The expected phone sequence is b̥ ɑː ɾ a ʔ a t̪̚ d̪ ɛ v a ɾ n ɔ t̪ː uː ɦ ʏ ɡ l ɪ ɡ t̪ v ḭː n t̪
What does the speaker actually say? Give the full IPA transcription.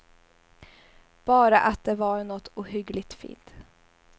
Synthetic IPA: b̥ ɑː ɾ a ʔ a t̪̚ d̪ ɛ v a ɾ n ɔ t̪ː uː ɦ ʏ ɡ l ɪ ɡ t̪ f ḭː n t̪

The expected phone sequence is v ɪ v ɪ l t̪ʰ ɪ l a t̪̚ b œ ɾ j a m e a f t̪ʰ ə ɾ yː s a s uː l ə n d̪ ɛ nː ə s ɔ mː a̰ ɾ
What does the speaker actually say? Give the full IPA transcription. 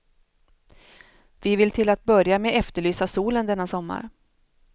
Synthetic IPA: v ɪ v ɪ l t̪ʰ ɪ l a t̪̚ b œ ɾ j a m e ɛ f t̪ ə ɭ yː s a s uː l ə n d̪ ɛ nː a s ɔ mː a̰ ɾ

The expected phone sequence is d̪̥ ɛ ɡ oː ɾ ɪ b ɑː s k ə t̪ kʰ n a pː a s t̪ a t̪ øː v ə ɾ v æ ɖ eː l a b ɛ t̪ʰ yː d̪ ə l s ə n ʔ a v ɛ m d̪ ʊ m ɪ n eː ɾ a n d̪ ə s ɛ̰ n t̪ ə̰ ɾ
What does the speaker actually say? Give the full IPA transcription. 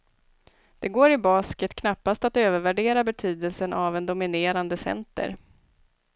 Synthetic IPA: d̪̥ ɛ ɡ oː ɾ ɪ b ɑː s k ə t̪ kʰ n a pː a s t̪ a t̪ øː v ə ɾ v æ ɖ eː ɾ a b ɛ t̪ʰ yː d̪ ə l s ə n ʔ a v ɛ n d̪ ʊ m ɪ n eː ɾ a n d̪ ə s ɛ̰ n t̪ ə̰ ɾ

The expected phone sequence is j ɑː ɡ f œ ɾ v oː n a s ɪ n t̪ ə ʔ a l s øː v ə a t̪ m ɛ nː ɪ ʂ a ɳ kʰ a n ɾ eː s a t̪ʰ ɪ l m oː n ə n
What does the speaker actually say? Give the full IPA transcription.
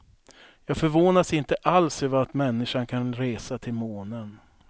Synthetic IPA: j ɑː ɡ f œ ɾ v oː n a s ɪ n t̪ ə ʔ a l s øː v ə a t̪ m ɛ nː ɪ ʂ a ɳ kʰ a n ɾ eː s a t̪ʰ ɪ l m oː n ə n

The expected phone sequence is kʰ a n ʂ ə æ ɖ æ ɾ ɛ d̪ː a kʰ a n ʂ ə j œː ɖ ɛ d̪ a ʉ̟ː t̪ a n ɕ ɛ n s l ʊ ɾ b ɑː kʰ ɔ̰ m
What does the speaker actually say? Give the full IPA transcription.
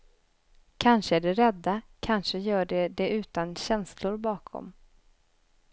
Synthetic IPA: kʰ a n ʂ ə æ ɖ ɛ ɾ ɛ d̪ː a kʰ a n ʂ ə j œː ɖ ɛ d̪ ɛ ʉ̟ː t̪ a n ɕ ɛ n s l ʊ ɾ b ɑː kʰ ɔ̰ m

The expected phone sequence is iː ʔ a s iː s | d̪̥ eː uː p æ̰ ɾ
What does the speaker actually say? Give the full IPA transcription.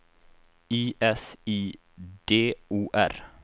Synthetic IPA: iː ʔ ɛ s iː | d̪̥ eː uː ʔ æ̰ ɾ

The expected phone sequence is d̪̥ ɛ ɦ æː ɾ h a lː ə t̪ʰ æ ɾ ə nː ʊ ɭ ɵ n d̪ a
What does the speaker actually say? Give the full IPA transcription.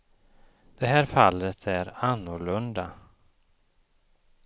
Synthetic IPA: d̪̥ ɛ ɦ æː ɾ f a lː ə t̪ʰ æ ɾ a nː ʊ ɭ ɵ n d̪ a

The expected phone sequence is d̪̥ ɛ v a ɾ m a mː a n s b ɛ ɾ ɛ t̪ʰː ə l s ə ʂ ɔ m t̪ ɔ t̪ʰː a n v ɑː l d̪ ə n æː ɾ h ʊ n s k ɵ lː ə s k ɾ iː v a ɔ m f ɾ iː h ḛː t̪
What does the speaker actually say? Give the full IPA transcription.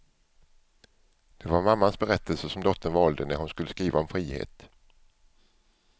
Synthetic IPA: d̪̥ ɛ v a ɾ m a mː a n s b ɛ ɾ ɛ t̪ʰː ə l s ə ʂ ɔ m d̪ ɔ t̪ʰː ə n v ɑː l d̪ ə n æ ɾ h ʊ n s k ɵ lː ə s k ɾ iː v a ɔ m f ɾ iː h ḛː t̪

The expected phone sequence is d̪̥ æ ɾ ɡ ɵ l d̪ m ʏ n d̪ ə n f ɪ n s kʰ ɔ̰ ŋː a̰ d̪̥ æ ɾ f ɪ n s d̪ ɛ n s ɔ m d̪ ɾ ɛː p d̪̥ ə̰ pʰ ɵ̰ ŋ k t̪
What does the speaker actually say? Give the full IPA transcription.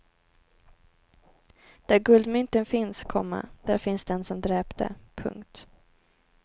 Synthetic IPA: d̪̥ æ ɾ ɡ ɵ l d̪ m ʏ n t̪ ə n f ɪ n s kʰ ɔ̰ mː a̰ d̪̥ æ ɾ f ɪ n s d̪ ɛ n s ɔ m d̪ ɾ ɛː p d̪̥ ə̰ pʰ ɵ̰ ŋ k t̪

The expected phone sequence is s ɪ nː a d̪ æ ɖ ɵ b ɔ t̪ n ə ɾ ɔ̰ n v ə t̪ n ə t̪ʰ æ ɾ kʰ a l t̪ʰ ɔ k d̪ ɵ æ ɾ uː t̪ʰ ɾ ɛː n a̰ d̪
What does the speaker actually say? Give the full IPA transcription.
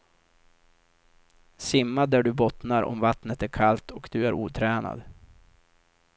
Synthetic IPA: s ɪ mː a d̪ æ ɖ ɵ b ɔ t̪ n a ɾ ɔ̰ m v a t̪ n ə t̪ æ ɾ kʰ a l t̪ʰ ɔ k d̪ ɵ æ ɾ uː t̪ʰ ɾ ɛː n a̰ d̪

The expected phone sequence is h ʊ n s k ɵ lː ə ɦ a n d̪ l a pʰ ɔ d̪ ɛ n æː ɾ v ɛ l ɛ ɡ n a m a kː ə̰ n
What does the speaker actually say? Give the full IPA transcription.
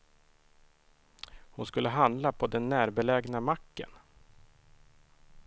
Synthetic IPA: h ʊ n s k ɵ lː ə ɦ a n d̪ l a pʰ ɔ d̪ ɛ nː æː ɾ b ɛ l ɛ ɡ n a m a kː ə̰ n

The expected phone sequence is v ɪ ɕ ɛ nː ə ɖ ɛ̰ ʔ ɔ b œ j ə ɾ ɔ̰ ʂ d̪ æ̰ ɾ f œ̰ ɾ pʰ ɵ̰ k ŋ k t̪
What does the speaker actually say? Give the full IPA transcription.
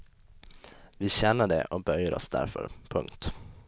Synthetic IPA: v ɪ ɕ ɛ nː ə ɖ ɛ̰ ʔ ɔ b œ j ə ɾ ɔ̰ s d̪ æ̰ ɾ f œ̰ ɾ pʰ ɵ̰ ŋ k t̪

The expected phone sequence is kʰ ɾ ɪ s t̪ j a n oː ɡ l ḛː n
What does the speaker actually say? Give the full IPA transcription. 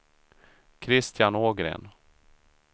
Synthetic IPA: kʰ ɾ ɪ s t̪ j a n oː ɡ ɾ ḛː n

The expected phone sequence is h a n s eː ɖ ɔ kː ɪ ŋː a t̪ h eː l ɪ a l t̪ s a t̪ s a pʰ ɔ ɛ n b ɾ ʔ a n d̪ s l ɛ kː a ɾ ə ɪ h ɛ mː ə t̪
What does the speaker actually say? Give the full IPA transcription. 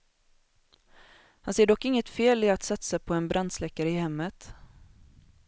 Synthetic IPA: h a n s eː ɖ ɔ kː ɪ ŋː ə t̪ f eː l ɪ a t̪ s a t̪ s a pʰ ɔ ɛ n b ɾ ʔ a n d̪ s l ɛ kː a ɾ ə ɪ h ɛ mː ə t̪

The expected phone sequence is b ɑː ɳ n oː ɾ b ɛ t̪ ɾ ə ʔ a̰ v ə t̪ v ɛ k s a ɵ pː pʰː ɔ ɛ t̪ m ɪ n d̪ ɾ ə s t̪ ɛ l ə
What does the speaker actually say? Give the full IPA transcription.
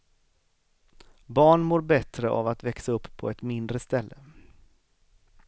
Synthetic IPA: b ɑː ɳ m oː ɾ b ɛ t̪ ɾ ə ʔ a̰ v a t̪ v ɛ k s a ɵ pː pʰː ɔ ɛ t̪ m ɪ n d̪ ɾ ə s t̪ ɛ lː ə

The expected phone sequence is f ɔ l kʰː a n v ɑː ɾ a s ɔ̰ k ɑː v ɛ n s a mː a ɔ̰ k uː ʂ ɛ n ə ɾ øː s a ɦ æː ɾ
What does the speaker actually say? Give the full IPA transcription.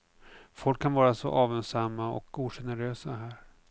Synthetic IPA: f ɔ l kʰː a n v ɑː ɾ a s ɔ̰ ʔ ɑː v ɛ n s a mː a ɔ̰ k uː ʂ ɛ n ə ɾ øː s a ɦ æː ɾ

